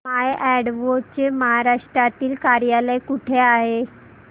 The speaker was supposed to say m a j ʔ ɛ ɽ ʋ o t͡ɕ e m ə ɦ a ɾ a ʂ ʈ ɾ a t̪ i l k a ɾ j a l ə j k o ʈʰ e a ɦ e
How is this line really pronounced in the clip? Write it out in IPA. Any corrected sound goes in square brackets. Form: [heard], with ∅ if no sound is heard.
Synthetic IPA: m a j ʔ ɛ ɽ ʋ o t͡ɕ e m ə ɦ a ɾ a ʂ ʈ ɾ a t̪ [iː] l k a ɾ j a l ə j k [u] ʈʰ e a ɦ e